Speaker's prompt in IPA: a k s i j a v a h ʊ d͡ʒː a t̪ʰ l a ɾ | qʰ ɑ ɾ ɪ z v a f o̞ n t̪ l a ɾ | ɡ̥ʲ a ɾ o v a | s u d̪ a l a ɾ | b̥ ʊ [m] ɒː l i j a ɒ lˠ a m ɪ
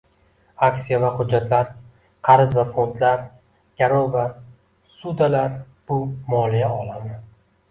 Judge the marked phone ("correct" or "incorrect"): correct